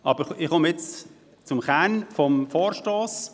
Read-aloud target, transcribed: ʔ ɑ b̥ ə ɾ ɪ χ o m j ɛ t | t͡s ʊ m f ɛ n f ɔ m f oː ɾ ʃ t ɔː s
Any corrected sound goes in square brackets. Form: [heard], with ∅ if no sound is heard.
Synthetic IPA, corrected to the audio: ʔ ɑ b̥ ə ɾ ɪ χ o m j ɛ [t͡s] | t͡s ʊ m [χ] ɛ n f ɔ m f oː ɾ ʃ t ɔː s